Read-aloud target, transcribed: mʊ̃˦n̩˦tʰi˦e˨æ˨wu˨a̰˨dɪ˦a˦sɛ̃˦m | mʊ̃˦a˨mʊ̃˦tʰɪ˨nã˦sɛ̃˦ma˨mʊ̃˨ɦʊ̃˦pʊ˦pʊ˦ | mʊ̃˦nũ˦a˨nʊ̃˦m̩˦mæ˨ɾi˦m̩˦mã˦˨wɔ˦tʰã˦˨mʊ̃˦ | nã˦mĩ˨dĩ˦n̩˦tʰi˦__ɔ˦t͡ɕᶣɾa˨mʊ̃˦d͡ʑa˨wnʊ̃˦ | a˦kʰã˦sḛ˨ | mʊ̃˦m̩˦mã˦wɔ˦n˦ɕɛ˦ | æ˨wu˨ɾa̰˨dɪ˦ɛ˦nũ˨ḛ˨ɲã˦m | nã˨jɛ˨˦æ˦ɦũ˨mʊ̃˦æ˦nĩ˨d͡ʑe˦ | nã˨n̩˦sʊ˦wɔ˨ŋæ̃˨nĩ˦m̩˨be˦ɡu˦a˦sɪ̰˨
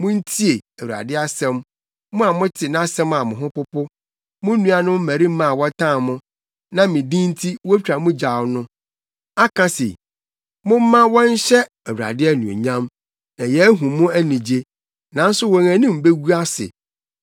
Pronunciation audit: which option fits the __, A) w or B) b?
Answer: A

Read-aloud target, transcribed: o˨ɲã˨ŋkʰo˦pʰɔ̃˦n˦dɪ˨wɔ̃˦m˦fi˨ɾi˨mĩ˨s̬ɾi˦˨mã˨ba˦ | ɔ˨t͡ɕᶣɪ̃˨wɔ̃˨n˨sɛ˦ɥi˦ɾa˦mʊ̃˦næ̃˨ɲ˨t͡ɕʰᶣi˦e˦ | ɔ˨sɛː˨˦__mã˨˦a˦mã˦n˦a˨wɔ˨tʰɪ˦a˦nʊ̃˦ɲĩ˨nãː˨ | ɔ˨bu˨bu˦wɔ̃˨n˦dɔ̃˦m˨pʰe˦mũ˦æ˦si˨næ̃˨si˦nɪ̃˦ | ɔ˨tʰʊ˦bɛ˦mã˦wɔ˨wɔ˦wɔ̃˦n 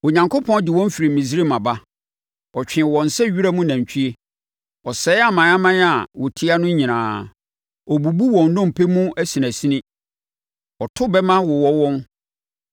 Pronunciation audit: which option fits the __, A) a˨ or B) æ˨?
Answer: A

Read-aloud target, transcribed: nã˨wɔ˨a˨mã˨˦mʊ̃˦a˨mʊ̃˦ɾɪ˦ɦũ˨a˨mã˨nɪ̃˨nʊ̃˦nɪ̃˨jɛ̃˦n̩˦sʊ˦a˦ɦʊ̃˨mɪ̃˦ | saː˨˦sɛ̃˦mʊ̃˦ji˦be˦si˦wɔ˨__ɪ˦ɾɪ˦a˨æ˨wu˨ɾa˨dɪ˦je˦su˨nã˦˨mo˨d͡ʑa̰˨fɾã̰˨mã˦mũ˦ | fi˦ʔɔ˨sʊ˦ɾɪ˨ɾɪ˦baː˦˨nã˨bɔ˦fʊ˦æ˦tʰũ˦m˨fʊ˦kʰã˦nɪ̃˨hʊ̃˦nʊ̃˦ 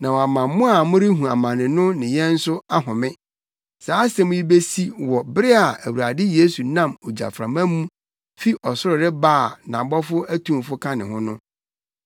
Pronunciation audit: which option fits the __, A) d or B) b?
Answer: B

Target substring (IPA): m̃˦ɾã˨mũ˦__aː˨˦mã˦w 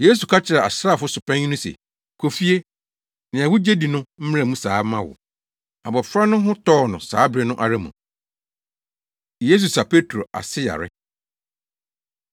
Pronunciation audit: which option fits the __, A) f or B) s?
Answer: B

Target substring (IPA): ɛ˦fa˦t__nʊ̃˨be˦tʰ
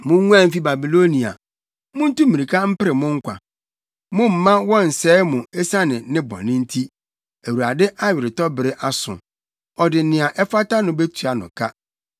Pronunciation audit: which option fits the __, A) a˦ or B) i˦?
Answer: A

